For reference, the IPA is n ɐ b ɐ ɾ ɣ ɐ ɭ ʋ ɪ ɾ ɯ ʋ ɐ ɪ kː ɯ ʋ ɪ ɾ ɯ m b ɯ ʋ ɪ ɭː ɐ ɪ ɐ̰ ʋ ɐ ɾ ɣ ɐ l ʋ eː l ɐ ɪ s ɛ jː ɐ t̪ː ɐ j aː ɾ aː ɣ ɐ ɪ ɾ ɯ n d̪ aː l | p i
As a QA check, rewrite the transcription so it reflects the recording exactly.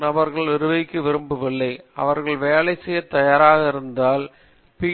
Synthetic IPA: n ɐ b ɐ ɾ ɣ ɐ ɭ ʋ ɪ ɾ ɯ ʋ ɐ ɪ kː ɯ ʋ ɪ ɾ ɯ m b ɯ ʋ ɪ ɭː ɐ ɪ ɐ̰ ʋ ɐ ɾ ɣ ɐ ɭ ʋ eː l ɐ ɪ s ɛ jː ɐ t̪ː ɐ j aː ɾ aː ɣ ɐ ɪ ɾ ɯ n d̪ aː l | p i